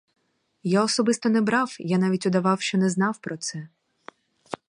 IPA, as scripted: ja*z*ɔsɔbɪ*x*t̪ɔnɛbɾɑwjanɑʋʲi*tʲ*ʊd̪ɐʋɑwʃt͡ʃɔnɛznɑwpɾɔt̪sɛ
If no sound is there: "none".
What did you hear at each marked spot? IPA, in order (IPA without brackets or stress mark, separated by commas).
none, s, tʲ